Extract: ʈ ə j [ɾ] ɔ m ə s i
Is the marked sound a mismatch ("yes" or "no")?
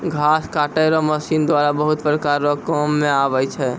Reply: no